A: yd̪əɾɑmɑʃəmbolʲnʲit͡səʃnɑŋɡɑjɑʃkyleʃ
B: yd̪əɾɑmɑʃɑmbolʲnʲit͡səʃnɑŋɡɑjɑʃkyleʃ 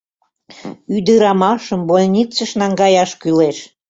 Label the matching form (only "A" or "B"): A